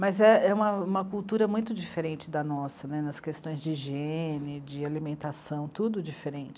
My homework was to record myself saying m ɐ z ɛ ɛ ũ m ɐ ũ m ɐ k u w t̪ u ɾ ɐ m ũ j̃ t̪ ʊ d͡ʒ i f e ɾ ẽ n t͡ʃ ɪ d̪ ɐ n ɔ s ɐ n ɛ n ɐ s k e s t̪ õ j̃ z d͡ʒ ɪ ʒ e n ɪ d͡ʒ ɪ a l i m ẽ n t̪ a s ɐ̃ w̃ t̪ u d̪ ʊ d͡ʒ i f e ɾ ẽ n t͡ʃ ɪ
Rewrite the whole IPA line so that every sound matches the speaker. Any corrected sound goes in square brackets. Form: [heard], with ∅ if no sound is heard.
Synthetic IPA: m ɐ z ɛ ɛ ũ m ɐ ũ m ɐ k u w t̪ u ɾ ɐ m ũ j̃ t̪ ʊ d͡ʒ i f e ɾ ẽ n t͡ʃ ɪ d̪ ɐ n ɔ s ɐ n ɛ n ɐ s k e s t̪ õ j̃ z d͡ʒ ɪ ʒ e n ɪ d͡ʒ ɪ a l i m ẽ n t̪ a s ɐ̃ w̃ t̪ u d̪ ʊ d͡ʒ i f e ɾ ẽ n t͡ʃ ɪ